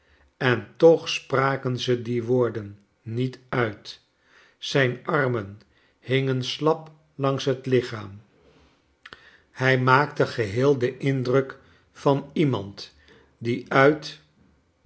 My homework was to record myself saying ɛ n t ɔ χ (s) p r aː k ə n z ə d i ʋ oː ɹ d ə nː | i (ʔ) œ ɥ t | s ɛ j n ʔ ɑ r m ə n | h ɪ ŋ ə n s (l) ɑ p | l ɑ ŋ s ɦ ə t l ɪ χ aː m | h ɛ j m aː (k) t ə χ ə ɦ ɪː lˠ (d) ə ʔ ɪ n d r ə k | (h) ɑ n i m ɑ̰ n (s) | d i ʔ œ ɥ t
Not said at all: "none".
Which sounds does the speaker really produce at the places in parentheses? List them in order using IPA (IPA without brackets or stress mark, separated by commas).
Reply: s, t, l, k, d, f, t